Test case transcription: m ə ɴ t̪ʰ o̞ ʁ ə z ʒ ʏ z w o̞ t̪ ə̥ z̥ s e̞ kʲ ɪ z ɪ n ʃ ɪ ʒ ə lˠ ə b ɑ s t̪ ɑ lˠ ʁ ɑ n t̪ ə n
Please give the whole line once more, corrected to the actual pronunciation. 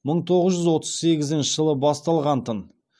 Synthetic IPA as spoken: m ə ɴ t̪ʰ o̞ ʁ ə z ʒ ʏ z w o̞ t̪ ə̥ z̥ s e̞ ɡʲ ɪ z ɪ n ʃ ɪ ʒ ə lˠ ə b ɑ s t̪ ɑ lˠ ʁ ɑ n t̪ ə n

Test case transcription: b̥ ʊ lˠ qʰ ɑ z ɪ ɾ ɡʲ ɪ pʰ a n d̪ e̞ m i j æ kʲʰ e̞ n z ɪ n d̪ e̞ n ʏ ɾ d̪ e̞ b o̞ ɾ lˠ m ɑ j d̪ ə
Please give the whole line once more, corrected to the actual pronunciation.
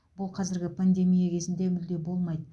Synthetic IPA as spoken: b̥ ʊ lˠ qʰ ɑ z ɪ ɾ ɡʲ ɪ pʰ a n d̪ e̞ m i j a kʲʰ e̞ z ɪ n d̪ e̞ m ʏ l d̪ e̞ b o̞ lˠ m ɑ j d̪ ə

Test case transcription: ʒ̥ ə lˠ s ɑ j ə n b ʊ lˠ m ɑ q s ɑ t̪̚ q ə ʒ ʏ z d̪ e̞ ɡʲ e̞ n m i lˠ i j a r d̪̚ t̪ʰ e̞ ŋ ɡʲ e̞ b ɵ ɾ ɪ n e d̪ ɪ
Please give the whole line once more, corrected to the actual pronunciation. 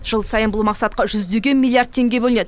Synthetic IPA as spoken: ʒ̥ ə lˠ s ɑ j ə n b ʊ lˠ m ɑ q s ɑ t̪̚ q ɑ ʒ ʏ z d̪ e̞ ɡʲ e̞ n m i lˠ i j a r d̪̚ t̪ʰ e̞ ŋ ɡʲ e̞ b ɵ l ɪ n e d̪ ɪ

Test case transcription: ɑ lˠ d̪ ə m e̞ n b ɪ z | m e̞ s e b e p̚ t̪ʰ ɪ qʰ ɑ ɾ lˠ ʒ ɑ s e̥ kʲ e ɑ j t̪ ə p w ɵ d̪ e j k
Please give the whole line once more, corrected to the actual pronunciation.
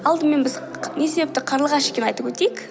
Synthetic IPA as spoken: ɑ lˠ d̪ ə m e̞ n b ɪ z | n e̞ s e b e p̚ t̪ ɪ qʰ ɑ ɾ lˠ ʁ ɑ ʃ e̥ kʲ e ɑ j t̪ ə p w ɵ t̪ e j k

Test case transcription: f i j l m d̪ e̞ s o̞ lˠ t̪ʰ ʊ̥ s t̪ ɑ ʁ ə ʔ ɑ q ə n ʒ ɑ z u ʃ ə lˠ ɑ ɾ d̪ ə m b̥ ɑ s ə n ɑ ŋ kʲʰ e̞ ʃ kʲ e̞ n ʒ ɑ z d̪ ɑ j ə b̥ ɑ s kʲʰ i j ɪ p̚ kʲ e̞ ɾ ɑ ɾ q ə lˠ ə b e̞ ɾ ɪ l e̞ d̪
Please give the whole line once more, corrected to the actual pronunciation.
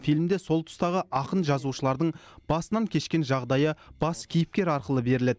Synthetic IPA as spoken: f i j l m d̪ e̞ s o̞ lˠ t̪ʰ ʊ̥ s t̪ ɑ ʁ ə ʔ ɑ q ə n ʒ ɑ z u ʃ ə lˠ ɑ ɾ d̪ ə ɴ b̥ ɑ s ə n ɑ ŋ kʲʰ e̞ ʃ kʲ e̞ n ʒ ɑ ʁ d̪ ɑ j ə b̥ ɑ s kʲʰ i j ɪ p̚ kʲ e̞ ɾ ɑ ɾ q ə lˠ ə b e̞ ɾ ɪ l e̞ d̪

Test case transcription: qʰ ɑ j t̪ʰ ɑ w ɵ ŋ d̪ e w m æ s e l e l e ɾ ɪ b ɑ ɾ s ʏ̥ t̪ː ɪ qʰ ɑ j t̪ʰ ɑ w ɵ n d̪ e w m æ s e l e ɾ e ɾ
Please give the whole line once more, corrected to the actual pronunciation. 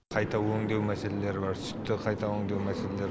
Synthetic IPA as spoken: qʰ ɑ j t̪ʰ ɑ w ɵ ŋ d̪ e w m æ s e l e l e ɾ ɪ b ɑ ɾ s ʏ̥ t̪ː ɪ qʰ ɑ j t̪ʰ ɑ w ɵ ŋ d̪ e w m æ s e l e l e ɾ

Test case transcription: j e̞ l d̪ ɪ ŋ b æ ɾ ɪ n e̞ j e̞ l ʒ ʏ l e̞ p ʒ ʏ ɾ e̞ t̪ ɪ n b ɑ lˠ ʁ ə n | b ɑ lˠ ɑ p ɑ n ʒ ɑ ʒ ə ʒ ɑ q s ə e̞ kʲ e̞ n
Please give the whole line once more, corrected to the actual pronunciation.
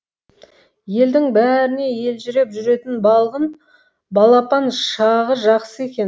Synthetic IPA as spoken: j e̞ l d̪ ɪ ŋ b æ ɾ ɪ n e̞ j e̞ l ʒ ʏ ɾ e̞ p ʒ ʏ ɾ e̞ t̪ ɪ n b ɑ lˠ ʁ ə n | b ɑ lˠ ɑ p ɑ n ʃ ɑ ʁ ə ʒ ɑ q s ə e̞ kʲ e̞ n

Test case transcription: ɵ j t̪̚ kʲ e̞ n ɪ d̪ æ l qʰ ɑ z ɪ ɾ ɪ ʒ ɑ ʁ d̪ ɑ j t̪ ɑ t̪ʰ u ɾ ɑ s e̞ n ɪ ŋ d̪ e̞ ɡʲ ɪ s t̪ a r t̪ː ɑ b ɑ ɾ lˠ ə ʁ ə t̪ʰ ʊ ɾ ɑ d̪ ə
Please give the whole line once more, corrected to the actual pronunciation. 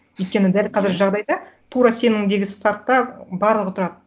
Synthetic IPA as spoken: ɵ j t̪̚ kʲ e̞ n ɪ d̪ æ l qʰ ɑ z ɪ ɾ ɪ ʒ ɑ ʁ d̪ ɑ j d̪ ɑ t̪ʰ u ɾ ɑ s e̞ n ɪ ŋ d̪ e̞ ɡʲ ɪ s t̪ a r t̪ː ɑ b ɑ ɾ lˠ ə ʁ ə t̪ʰ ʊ ɾ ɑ d̪ ə

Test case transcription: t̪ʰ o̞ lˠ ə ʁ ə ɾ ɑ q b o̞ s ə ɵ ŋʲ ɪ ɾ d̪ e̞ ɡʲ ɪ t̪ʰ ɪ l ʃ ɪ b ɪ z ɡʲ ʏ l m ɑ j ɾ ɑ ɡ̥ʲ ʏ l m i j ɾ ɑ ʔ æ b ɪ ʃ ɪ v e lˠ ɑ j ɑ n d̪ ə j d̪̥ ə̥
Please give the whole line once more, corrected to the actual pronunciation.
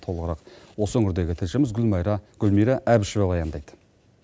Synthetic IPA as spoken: t̪ʰ o̞ lˠ ə ʁ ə ɾ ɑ q w o̞ s ə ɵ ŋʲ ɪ ɾ d̪ e̞ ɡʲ ɪ t̪ʰ ɪ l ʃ ɪ m ɪ z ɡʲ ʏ l m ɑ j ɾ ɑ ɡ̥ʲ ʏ l m i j ɾ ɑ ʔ æ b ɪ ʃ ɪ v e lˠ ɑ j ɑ n d̪ ɑ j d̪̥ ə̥

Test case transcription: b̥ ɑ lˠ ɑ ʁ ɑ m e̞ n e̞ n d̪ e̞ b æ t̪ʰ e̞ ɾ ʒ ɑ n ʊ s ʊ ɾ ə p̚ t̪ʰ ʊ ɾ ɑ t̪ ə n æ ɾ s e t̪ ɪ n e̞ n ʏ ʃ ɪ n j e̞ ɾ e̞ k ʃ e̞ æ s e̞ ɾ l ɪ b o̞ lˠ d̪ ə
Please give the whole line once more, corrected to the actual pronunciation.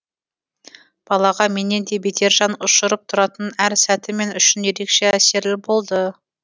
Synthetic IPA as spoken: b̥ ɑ lˠ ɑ ʁ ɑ m e̞ n e̞ n d̪ e̞ b e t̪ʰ e̞ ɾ ʒ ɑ n ʊ ʃ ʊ ɾ ə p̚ t̪ʰ ʊ ɾ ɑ t̪ ə n æ ɾ s æ t̪ ɪ m e̞ n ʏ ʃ ɪ n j e̞ ɾ e̞ k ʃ e̞ æ s e̞ ɾ l ɪ b o̞ lˠ d̪ ə

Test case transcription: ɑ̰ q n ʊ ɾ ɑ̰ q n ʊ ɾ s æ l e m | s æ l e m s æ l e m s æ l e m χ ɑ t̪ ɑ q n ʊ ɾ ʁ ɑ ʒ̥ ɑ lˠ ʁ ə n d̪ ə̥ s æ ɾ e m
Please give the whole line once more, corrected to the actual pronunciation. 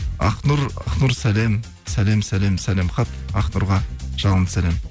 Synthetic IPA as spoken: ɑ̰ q n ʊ ɾ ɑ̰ q n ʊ ɾ s æ l e m | s æ l e m s æ l e m s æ l e m χ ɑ t̪ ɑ q n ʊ ɾ ʁ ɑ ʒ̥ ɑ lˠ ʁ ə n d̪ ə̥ s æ l e m

